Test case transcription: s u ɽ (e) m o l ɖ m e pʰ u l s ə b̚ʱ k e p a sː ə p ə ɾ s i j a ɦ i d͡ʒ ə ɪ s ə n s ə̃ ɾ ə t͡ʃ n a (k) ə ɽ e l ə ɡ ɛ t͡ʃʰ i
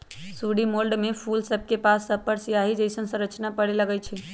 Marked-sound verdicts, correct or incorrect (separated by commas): incorrect, incorrect